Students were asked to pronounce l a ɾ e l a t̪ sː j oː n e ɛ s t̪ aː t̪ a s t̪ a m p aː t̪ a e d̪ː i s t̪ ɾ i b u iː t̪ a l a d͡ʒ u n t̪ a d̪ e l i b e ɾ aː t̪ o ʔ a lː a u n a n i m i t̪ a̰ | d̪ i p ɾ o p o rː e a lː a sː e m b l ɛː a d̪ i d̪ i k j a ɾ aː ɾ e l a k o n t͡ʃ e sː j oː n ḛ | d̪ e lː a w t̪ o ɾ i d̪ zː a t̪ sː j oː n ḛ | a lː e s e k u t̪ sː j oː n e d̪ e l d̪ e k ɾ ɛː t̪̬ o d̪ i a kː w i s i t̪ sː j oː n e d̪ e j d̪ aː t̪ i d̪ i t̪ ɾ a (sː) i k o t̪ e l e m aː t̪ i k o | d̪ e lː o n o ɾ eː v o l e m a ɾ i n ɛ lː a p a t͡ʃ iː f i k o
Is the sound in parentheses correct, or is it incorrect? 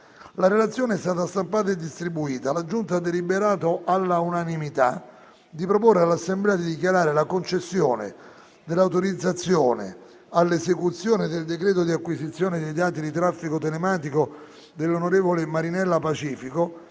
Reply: incorrect: fː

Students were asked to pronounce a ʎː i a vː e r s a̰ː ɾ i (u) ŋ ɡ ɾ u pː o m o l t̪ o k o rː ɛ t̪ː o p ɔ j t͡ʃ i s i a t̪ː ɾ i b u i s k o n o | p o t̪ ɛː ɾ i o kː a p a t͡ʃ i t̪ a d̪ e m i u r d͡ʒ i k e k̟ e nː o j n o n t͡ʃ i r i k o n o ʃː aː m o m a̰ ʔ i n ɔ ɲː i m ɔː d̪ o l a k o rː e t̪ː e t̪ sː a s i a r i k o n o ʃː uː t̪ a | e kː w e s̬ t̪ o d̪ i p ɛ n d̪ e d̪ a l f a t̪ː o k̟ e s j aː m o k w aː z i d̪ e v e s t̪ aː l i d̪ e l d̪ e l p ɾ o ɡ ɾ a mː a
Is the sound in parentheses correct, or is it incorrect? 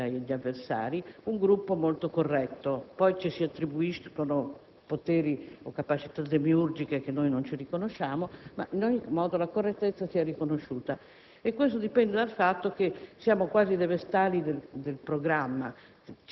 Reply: correct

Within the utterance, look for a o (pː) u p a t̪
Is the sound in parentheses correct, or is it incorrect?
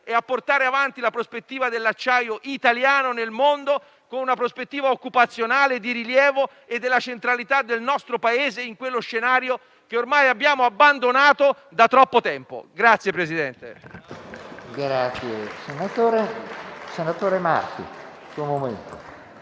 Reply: incorrect: kː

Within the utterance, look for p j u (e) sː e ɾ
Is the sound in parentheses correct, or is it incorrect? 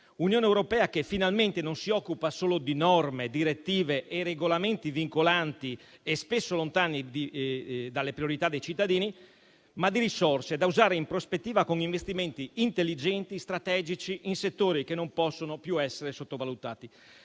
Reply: incorrect: ɛ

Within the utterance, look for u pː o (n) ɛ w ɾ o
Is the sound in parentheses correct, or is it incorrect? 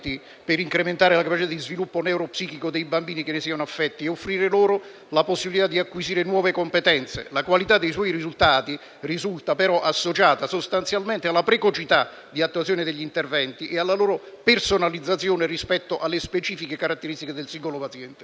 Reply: correct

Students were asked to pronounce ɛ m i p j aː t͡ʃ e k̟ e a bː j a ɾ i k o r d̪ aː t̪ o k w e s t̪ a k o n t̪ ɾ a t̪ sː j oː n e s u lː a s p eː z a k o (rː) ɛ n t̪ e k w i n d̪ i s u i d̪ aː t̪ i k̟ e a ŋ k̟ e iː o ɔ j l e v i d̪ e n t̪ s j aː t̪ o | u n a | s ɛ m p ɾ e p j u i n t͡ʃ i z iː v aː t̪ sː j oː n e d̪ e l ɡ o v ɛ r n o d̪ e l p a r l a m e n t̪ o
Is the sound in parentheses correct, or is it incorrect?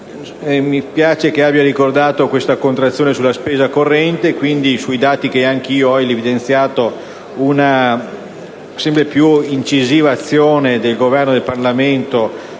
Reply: correct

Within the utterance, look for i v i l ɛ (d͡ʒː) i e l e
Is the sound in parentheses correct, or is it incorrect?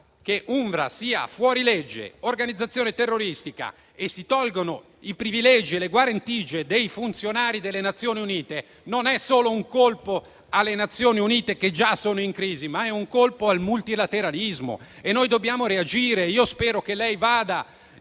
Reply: incorrect: d͡ʒ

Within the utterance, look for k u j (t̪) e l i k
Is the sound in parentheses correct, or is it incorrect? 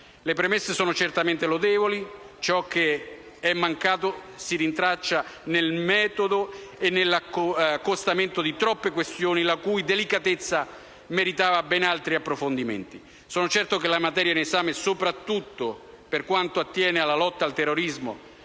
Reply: incorrect: d̪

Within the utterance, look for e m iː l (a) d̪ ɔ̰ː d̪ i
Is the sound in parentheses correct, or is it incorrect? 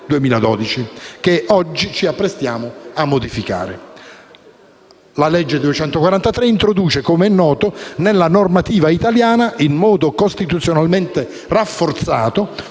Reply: correct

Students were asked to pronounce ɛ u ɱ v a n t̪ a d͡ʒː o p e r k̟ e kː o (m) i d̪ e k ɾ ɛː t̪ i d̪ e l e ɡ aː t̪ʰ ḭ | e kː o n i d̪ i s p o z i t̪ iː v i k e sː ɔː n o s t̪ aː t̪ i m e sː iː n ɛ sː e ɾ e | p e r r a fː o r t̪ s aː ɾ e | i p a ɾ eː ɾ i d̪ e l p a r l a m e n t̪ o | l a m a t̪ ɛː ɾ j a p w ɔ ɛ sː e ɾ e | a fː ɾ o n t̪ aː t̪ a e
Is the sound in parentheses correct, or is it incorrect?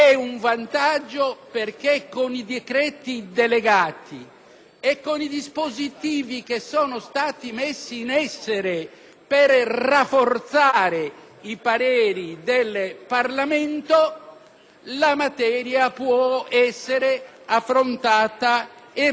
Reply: incorrect: n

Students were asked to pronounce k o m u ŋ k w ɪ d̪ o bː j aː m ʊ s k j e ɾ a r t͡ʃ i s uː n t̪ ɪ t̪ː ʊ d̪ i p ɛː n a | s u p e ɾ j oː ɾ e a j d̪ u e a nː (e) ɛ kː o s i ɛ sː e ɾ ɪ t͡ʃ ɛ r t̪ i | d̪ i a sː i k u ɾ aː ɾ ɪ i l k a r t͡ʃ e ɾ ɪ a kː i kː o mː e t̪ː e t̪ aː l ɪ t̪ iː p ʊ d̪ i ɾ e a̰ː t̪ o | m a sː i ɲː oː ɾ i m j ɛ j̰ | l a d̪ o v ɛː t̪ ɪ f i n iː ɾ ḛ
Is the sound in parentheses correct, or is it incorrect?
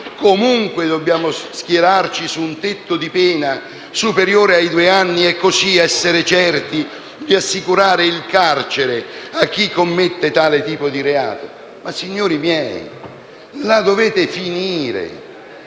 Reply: incorrect: i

